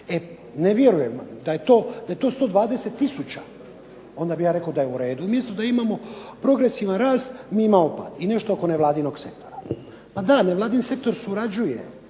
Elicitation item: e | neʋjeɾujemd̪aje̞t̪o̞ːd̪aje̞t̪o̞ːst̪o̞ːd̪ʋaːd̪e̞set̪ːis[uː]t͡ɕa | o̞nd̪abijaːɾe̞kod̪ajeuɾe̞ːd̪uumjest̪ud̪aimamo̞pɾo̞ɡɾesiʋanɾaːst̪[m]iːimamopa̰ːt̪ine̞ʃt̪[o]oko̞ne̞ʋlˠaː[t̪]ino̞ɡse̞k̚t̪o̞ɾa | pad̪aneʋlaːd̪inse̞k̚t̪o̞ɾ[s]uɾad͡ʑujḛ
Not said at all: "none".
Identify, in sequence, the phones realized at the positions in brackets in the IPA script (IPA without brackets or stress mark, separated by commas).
u, m, o, d̪, s